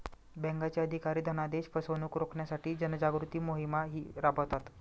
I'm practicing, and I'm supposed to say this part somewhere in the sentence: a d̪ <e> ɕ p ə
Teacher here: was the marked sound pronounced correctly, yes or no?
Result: yes